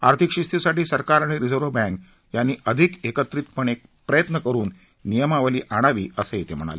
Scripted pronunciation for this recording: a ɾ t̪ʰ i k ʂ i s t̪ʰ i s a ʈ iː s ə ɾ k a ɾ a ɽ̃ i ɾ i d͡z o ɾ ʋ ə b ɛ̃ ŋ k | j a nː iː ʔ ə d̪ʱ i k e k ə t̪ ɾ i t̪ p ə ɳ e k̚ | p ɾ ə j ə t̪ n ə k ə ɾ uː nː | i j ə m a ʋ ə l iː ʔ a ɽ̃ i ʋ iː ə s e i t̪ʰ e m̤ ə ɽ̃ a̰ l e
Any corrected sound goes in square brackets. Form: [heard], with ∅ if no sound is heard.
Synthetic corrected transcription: a ɾ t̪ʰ i k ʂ i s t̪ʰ i s a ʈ iː s ə ɾ k a ɾ a ɽ̃ i ɾ i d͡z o ɾ ʋ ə b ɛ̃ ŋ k | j a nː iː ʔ ə d̪ʱ i k e k ə t̪ ɾ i t̪ p ə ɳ e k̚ | p ɾ ə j ə t̪ n ə k ə ɾ uː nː | i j ə m a ʋ ə l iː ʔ a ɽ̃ [a] ʋ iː ə s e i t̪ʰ e m̤ ə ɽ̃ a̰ l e